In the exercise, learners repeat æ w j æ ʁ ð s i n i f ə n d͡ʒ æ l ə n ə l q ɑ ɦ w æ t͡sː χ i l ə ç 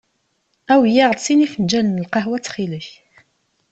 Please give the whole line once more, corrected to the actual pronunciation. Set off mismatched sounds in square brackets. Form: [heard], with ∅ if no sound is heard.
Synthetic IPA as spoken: æ w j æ ʁ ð s i n i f ə n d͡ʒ æ l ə n ə l q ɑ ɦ w æ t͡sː χ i l ə ç